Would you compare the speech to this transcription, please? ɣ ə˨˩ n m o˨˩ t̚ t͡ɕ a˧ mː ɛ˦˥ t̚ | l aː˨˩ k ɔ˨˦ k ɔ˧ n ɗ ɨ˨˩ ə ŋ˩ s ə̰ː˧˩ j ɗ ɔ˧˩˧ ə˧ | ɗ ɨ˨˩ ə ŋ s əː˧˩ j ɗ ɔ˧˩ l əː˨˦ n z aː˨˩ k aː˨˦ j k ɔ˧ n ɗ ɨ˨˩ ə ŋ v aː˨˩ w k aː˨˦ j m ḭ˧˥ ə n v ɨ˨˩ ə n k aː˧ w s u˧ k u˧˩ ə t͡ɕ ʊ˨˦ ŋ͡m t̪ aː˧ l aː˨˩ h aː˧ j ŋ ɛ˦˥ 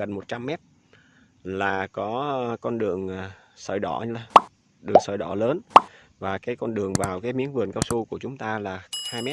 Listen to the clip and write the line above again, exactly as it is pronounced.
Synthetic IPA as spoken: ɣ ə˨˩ n m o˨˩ t̚ t͡ɕ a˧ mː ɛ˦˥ t̚ | l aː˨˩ k ɔ˨˦ k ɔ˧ n ɗ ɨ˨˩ ə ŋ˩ s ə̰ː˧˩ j ɗ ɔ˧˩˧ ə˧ | ɗ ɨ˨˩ ə ŋ s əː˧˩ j ɗ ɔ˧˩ l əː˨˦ n v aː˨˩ k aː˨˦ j k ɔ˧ n ɗ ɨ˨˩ ə ŋ v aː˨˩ w k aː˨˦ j m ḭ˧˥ ə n v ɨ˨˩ ə n k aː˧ w s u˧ k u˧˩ ə t͡ɕ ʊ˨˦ ŋ͡m t̪ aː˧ l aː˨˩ h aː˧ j m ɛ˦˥